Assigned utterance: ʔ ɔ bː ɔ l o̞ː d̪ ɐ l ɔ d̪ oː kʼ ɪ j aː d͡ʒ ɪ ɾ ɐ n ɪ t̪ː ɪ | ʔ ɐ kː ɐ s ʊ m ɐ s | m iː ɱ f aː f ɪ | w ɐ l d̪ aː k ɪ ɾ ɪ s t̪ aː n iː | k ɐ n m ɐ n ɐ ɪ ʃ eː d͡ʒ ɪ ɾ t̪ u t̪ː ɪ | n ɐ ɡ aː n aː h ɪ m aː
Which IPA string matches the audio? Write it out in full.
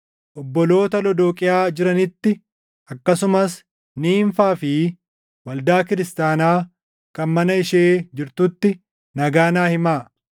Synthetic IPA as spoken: ʔ ɔ bː ɔ l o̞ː t̪ ɐ l ɔ d̪ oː kʼ ɪ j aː d͡ʒ ɪ ɾ ɐ n ɪ t̪ː ɪ | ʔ ɐ kː ɐ s ʊ m ɐ s | n iː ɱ f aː f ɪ | w ɐ l d̪ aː k ɪ ɾ ɪ s t̪ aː n aː | k ɐ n m ɐ n ɐ ɪ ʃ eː d͡ʒ ɪ ɾ t̪ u t̪ː ɪ | n ɐ ɡ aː n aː h ɪ m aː